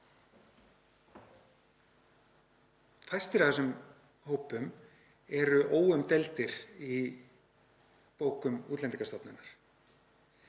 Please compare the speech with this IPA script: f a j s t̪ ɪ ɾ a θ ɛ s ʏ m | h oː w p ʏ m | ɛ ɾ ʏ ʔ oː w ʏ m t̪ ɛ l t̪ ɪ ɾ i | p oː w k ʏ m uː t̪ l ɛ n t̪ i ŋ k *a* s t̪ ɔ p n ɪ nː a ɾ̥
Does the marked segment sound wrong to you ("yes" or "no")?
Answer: no